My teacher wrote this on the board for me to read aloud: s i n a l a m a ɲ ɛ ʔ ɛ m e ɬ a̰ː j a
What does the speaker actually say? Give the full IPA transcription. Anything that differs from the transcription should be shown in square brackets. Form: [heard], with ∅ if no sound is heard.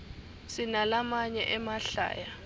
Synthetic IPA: s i n a l a m a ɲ ɛ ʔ ɛ m [a] ɬ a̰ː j a